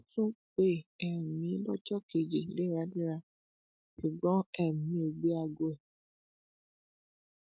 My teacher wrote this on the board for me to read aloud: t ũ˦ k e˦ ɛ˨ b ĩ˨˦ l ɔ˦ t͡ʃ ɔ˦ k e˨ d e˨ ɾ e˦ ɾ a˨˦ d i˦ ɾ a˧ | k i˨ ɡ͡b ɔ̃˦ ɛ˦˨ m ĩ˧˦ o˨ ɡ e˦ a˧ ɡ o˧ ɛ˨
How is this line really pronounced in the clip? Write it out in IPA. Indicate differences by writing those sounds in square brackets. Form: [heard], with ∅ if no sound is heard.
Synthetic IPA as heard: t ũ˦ [k͡p] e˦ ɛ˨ [m] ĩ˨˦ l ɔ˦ t͡ʃ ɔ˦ k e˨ [d͡ʒ] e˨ [l] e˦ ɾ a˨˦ d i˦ ɾ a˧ | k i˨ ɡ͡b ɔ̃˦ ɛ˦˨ m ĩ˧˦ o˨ [ɡ͡b] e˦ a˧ ɡ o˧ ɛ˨